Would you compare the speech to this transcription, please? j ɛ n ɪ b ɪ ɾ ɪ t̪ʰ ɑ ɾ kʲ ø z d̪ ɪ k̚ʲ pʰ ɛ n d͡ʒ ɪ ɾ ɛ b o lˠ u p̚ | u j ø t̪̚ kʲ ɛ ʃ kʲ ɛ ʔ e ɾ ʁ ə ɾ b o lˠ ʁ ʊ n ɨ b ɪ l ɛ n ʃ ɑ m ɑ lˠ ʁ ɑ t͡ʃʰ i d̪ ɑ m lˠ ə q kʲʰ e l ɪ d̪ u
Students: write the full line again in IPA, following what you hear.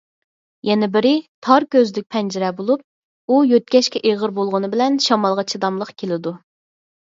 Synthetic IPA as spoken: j ɛ n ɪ b ɪ ɾ ɪ t̪ʰ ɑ ɾ kʲ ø z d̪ ɪ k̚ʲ pʰ ɛ n d͡ʒ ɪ ɾ ɛ b o lˠ u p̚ | u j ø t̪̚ kʲ ɛ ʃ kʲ ɛ ʔ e ʁ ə ɾ b o lˠ ʁ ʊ n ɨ b ɪ l ɛ n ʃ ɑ m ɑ lˠ ʁ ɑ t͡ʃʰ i d̪ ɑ m lˠ ə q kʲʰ e l ɪ d̪ u